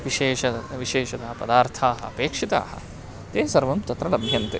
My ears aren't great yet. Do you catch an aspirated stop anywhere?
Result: yes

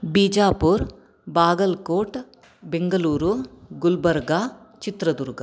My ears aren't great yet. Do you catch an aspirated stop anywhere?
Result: no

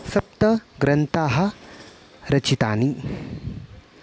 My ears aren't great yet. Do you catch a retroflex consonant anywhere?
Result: no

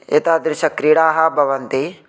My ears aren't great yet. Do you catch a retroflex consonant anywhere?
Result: yes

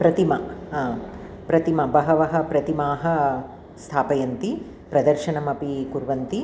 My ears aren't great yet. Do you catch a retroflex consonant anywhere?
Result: no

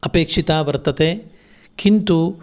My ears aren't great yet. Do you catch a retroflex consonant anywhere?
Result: yes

